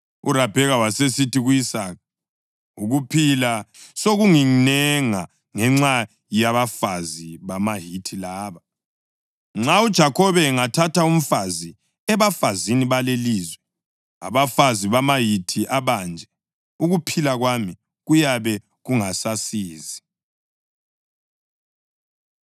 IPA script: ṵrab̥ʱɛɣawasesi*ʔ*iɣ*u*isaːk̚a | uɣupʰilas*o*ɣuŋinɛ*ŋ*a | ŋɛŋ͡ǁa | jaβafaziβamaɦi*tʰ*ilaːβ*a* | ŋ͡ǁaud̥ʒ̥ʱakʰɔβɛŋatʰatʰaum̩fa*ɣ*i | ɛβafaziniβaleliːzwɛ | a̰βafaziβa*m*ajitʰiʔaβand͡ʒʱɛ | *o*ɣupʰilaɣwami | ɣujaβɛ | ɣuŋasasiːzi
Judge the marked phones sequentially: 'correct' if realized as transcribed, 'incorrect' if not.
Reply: incorrect: t, correct, correct, correct, correct, correct, incorrect: z, correct, incorrect: u

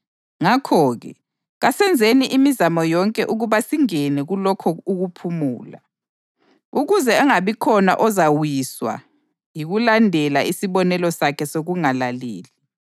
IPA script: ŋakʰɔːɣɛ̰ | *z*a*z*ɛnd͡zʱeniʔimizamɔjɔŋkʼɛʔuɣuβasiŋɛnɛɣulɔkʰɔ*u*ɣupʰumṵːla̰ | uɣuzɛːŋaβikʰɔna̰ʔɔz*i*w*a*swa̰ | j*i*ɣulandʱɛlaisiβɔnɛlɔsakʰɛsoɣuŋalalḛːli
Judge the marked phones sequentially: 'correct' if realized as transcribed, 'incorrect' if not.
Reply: incorrect: ɣ, incorrect: s, correct, incorrect: a, incorrect: i, correct

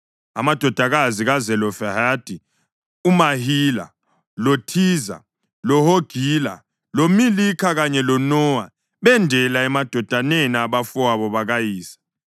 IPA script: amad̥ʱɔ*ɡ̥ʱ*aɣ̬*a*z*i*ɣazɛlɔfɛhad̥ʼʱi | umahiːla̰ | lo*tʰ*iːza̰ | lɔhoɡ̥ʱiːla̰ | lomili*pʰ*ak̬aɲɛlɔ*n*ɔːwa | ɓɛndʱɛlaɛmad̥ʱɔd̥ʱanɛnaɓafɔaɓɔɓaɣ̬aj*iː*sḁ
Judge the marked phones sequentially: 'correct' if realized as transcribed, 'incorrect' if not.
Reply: incorrect: d̥ʱ, correct, correct, correct, incorrect: kʰ, correct, correct

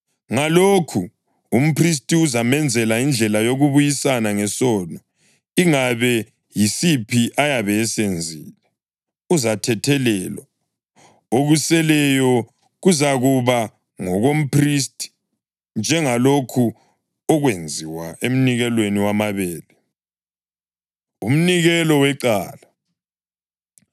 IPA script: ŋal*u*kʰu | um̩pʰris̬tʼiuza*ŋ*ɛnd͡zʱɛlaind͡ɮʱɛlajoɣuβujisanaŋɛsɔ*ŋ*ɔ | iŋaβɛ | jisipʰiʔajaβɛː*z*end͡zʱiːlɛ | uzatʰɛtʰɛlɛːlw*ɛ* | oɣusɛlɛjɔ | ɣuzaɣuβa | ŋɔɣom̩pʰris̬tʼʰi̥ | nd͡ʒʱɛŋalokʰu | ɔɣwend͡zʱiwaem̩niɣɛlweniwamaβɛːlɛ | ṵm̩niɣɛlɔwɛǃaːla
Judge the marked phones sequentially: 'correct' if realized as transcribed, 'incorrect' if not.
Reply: incorrect: o, incorrect: m, incorrect: n, incorrect: s, incorrect: a

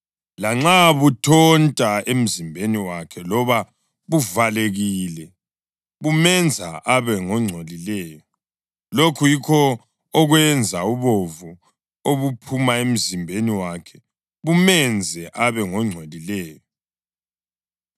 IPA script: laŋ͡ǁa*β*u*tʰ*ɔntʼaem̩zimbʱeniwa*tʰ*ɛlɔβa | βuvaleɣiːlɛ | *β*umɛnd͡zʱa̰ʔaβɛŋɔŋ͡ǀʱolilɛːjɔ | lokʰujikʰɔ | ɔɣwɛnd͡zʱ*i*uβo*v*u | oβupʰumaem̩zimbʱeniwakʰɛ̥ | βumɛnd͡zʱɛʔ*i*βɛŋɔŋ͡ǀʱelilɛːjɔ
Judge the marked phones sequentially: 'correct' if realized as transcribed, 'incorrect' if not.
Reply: correct, correct, incorrect: kʰ, correct, incorrect: a, correct, incorrect: a

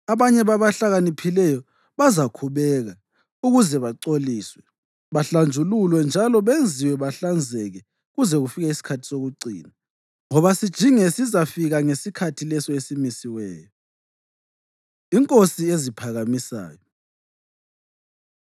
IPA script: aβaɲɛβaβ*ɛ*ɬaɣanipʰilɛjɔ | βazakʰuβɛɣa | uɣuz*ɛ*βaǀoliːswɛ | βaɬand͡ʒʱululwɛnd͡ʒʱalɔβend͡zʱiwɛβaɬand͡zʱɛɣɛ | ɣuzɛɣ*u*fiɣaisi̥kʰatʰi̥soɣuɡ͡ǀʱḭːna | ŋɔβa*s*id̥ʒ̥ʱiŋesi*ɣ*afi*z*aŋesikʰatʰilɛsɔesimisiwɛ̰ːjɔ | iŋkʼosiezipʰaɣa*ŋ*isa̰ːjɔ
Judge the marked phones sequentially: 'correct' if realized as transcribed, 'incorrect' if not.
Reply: incorrect: a, correct, correct, correct, incorrect: z, incorrect: ɣ, incorrect: m

